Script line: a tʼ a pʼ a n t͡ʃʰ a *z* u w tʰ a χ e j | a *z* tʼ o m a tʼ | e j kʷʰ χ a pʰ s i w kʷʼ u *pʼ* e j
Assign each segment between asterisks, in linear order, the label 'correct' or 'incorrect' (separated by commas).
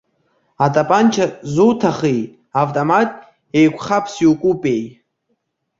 correct, incorrect, correct